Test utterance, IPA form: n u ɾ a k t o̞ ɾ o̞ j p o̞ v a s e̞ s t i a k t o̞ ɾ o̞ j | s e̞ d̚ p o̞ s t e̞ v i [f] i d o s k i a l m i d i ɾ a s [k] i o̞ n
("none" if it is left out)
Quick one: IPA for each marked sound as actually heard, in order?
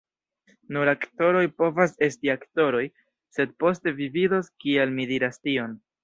v, t

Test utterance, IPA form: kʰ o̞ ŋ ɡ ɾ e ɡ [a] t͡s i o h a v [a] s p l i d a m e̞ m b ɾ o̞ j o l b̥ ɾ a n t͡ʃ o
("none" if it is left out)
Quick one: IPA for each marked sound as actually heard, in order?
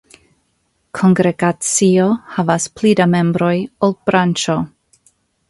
a, a

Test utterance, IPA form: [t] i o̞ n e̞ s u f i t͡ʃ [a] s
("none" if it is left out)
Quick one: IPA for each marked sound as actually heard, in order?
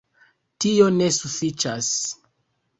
t, a

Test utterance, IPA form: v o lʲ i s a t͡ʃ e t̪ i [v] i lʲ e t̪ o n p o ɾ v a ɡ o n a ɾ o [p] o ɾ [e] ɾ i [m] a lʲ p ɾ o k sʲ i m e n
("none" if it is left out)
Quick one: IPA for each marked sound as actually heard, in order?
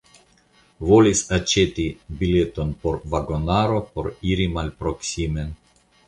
b, p, i, m

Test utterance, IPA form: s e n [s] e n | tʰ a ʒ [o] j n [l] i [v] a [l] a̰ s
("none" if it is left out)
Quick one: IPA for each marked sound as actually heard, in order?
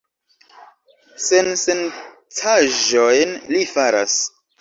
s, o, l, f, ɾ

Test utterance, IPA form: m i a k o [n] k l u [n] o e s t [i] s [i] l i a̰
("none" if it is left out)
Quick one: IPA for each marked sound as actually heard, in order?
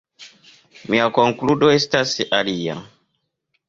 ŋ, d, a, a

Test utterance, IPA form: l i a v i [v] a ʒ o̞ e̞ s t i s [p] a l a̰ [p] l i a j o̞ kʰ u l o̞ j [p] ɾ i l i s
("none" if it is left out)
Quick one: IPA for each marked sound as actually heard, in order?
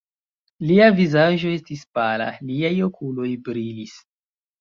z, p, none, b

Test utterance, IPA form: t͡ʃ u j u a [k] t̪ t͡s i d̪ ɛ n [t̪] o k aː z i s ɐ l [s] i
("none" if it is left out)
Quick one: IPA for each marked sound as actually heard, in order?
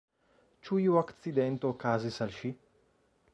k, t̪, ʃ

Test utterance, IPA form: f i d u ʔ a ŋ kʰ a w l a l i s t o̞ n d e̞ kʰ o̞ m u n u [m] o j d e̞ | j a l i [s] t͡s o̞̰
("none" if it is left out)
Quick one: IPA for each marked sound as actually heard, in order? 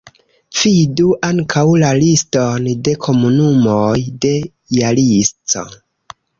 m, s

